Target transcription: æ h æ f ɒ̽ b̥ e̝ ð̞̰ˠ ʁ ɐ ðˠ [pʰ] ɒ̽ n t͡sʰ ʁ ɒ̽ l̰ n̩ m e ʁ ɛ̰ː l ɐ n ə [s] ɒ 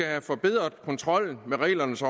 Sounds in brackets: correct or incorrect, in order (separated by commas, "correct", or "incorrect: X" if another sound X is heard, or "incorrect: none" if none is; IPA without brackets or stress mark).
incorrect: kʰ, correct